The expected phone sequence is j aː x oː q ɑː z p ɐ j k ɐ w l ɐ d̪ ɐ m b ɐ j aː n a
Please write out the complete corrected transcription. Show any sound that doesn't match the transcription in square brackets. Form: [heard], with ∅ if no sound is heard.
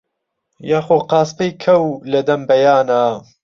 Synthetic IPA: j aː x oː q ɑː [s] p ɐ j [kʰ] ɐ w l ɐ d̪ ɐ m b ɐ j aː n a